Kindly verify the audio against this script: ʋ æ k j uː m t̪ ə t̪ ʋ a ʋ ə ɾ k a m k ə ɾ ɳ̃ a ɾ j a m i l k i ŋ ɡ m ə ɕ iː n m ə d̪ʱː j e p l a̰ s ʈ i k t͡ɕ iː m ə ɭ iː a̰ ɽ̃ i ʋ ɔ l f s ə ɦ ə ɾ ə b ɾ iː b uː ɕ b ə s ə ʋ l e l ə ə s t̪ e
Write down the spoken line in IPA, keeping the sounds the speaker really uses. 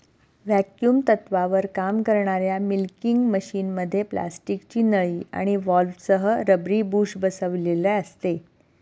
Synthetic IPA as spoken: ʋ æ k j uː m t̪ ə t̪ ʋ a ʋ ə ɾ k a m k ə ɾ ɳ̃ a ɾ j a m i l k i ŋ ɡ m ə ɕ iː n m ə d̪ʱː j e p l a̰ s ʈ i k t͡ɕ iː n ə ɭ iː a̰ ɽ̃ i ʋ ɔ l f s ə ɦ ə ɾ ə b ɾ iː b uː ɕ b ə s ə ʋ l e l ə ə s t̪ e